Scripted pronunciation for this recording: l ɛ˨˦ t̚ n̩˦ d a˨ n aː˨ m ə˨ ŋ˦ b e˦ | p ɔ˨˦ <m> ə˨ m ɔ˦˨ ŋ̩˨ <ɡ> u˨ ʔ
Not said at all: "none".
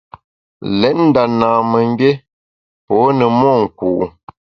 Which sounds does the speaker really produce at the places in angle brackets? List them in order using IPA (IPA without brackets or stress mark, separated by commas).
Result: n, k